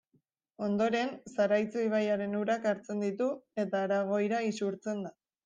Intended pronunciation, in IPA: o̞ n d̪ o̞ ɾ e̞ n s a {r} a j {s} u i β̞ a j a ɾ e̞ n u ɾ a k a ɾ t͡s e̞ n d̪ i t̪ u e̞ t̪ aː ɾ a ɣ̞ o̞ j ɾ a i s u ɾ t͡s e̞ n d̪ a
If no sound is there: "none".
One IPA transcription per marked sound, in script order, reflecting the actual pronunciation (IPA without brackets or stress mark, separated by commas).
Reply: ɾ, t͡s